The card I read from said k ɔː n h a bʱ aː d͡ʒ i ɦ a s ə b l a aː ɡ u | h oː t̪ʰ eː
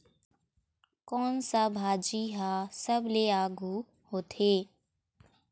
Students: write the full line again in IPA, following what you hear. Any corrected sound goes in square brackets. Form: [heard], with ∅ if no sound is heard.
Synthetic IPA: k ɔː n [s] a bʱ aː d͡ʒ i ɦ a s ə b l [e] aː ɡ u | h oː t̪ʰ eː